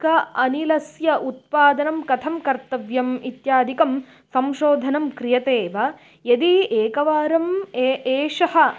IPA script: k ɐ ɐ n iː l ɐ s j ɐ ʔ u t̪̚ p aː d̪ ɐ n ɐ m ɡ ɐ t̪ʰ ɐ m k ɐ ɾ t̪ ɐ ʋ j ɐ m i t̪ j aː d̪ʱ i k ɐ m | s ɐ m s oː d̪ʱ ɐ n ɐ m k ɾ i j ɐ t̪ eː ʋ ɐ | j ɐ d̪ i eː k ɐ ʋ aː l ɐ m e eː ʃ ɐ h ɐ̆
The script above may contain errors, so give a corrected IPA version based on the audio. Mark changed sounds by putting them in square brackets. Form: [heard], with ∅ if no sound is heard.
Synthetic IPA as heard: k ɐ ɐ n [i] l ɐ s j ɐ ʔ u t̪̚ p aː d̪ ɐ n ɐ m [k] ɐ t̪ʰ ɐ m k ɐ ɾ t̪ ɐ ʋ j ɐ m i t̪ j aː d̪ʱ i k ɐ m | s ɐ m [ʃ] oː d̪ʱ ɐ n ɐ m k ɾ i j ɐ t̪ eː ʋ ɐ | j ɐ d̪ i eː k ɐ ʋ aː [ɾ] ɐ m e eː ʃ ɐ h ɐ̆

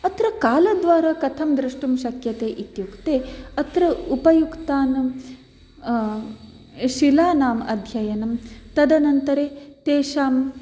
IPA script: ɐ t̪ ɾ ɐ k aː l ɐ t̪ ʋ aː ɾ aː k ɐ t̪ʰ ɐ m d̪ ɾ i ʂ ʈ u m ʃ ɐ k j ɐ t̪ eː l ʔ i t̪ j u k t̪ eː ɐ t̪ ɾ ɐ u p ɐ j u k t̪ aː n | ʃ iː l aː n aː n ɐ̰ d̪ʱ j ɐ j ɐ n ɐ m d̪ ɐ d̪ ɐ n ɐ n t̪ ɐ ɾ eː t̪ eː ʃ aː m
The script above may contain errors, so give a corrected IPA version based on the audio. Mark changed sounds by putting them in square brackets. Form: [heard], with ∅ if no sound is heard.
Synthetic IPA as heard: ɐ t̪ ɾ ɐ k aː l ɐ [d̪] ʋ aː ɾ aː k ɐ t̪ʰ ɐ m d̪ ɾ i ʂ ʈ u m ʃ ɐ k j ɐ t̪ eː [∅] ʔ i t̪ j u k t̪ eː ɐ t̪ ɾ ɐ u p ɐ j u k t̪ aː n | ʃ [i] l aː n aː [m] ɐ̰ d̪ʱ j ɐ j ɐ n ɐ m [t̪] ɐ d̪ ɐ n ɐ n t̪ ɐ ɾ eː t̪ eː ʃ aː m

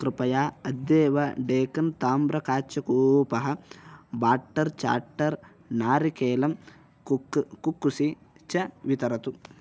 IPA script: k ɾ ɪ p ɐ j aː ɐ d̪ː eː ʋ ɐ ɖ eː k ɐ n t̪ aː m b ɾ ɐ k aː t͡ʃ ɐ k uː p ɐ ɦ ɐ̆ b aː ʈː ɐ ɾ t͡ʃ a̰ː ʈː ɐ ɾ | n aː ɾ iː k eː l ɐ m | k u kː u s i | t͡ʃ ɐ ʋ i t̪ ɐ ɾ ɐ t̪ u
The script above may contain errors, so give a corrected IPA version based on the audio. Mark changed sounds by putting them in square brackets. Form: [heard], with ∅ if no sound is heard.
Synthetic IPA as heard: k ɾ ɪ p ɐ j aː ɐ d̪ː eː ʋ ɐ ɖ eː k ɐ n t̪ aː m b ɾ ɐ k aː t͡ʃ ɐ k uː p ɐ ɦ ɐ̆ b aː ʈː ɐ ɾ t͡ʃ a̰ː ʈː ɐ ɾ | n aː ɾ [i] k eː l ɐ m | k u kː u s i | t͡ʃ ɐ ʋ i t̪ ɐ ɾ ɐ t̪ u

